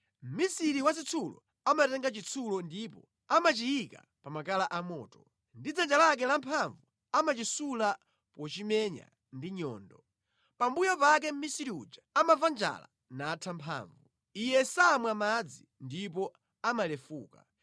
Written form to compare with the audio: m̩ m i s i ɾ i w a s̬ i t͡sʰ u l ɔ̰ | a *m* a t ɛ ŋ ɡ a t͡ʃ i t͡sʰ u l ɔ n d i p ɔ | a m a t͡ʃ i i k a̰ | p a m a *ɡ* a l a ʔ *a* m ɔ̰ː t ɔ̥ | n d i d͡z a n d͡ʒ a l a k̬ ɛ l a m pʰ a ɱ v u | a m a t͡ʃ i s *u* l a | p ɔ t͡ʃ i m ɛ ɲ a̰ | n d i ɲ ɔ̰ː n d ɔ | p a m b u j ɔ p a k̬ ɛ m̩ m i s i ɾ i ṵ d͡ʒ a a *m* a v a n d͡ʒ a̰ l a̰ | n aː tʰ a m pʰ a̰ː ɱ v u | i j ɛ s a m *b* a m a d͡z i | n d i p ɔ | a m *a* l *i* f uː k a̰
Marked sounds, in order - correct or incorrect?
correct, incorrect: k, correct, correct, correct, incorrect: w, correct, incorrect: ɛ

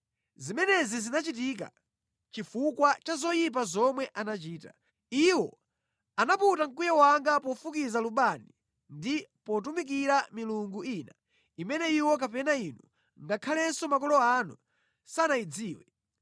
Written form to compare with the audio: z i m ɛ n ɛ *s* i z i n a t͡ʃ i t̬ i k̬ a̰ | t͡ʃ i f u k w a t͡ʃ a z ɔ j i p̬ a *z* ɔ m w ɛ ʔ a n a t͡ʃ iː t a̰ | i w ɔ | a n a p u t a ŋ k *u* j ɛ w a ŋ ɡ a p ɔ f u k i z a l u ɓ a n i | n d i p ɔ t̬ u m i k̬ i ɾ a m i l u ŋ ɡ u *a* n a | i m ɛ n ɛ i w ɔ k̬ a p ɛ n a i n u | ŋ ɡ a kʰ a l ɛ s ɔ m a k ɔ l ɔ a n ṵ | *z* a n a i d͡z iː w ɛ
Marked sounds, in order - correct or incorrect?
incorrect: z, correct, correct, incorrect: i, incorrect: s

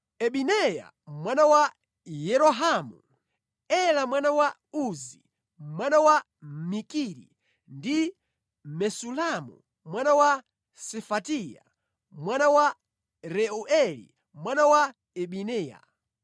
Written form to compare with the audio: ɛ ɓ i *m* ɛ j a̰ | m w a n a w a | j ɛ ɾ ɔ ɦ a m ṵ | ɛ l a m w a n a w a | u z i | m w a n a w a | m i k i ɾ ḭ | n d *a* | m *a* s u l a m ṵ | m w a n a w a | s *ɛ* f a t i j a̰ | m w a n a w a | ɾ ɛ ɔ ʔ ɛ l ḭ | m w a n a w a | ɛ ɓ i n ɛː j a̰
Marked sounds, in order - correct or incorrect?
incorrect: n, incorrect: i, incorrect: ɛ, correct

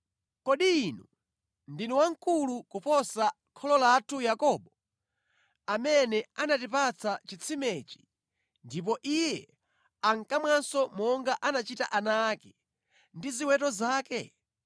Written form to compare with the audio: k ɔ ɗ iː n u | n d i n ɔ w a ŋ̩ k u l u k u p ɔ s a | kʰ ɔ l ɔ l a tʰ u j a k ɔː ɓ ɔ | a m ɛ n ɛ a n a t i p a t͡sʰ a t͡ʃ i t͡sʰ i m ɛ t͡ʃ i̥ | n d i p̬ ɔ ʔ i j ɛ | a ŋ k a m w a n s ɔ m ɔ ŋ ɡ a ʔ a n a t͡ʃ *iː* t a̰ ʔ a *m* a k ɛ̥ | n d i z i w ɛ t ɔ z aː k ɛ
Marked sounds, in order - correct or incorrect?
incorrect: i, incorrect: n

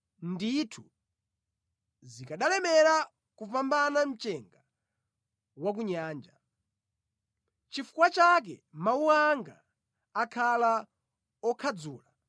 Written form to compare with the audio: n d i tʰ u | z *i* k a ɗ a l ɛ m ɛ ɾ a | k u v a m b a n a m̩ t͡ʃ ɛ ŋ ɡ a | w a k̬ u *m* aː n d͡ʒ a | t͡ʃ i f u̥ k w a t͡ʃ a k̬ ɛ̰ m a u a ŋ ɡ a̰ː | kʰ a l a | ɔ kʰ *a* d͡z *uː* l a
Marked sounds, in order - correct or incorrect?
correct, incorrect: ɲ, correct, correct

